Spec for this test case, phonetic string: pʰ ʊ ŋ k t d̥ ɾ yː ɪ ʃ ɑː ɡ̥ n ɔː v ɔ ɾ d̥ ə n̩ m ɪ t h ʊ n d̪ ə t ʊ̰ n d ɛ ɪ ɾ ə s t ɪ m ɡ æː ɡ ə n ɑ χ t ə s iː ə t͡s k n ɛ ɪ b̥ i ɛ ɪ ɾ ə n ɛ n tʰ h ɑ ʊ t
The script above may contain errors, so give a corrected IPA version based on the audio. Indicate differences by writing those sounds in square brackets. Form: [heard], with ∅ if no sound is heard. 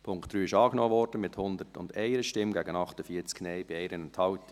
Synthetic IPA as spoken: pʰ ʊ ŋ k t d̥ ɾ yː ɪ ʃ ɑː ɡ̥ n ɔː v ɔ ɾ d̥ ə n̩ m ɪ t h ʊ n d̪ ə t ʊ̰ n d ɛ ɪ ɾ ə [ʃ] t ɪ m ɡ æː ɡ ə n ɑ χ t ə [f] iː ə t͡s k n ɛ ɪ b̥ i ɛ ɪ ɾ ə n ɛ n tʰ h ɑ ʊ t